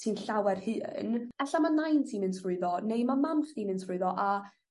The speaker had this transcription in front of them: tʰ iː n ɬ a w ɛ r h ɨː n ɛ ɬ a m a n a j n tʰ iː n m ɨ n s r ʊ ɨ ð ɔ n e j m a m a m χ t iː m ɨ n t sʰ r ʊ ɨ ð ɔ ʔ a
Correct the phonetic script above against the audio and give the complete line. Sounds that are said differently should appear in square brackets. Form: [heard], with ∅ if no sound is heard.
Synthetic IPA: tʰ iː n ɬ a w ɛ r h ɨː n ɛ ɬ a m a n a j n tʰ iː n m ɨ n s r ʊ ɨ ð ɔ n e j m a m a m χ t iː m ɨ n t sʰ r ʊ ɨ ð ɔ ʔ a